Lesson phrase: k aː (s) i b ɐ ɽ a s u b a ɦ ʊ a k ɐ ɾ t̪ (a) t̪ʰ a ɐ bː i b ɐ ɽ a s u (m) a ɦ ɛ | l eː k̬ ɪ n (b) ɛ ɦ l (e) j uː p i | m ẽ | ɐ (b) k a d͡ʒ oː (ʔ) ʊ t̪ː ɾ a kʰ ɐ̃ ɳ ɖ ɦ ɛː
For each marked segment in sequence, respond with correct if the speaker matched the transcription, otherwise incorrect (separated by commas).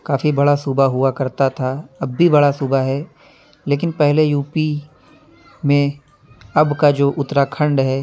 incorrect, correct, incorrect, incorrect, correct, correct, correct